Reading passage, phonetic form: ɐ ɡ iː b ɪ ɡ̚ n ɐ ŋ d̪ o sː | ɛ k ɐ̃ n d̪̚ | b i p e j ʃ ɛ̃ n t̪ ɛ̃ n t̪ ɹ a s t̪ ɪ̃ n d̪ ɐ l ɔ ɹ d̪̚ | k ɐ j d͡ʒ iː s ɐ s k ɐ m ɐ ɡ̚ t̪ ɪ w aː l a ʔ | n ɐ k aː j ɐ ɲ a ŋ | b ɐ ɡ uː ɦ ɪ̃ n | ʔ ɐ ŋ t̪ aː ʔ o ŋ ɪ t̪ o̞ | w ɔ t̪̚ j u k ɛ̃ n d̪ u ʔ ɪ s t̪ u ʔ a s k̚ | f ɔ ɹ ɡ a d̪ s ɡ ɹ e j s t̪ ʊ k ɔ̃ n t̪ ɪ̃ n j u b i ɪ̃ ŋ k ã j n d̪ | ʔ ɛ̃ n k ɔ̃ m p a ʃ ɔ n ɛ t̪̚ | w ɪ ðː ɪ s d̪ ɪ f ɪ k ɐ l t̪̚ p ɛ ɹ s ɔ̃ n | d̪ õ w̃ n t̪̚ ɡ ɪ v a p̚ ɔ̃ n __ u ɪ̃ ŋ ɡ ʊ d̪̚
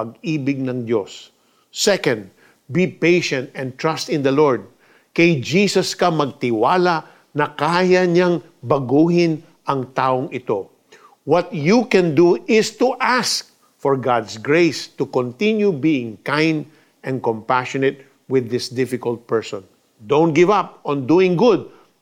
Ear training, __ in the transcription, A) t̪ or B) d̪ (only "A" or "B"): B